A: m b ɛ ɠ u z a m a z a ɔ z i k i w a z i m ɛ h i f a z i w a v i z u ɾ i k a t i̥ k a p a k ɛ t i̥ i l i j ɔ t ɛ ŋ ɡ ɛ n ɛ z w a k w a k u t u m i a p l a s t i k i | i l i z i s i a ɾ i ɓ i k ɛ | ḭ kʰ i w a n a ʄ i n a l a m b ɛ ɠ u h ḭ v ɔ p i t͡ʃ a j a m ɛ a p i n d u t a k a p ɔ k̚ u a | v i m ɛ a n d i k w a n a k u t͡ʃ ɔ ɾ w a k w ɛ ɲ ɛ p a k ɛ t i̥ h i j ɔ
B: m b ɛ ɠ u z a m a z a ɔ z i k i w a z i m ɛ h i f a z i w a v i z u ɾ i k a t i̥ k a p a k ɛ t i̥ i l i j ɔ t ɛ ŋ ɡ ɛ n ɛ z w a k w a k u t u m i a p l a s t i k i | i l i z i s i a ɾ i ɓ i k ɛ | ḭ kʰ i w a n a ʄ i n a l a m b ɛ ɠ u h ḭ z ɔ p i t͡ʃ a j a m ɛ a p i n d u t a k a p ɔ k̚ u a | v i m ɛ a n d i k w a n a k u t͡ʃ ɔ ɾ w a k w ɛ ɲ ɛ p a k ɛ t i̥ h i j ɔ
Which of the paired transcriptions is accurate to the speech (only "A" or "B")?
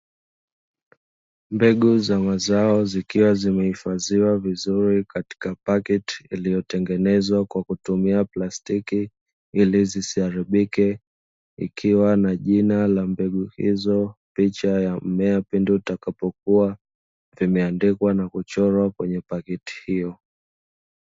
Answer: B